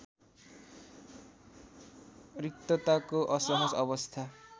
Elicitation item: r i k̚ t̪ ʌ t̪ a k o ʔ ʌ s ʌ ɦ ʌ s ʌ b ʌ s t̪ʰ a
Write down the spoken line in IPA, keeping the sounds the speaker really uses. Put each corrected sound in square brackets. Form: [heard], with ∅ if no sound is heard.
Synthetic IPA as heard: r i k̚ t̪ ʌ t̪ a k o ʔ ʌ s ʌ ɦ ʌ s ʌ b ʌ s t̪ʰ a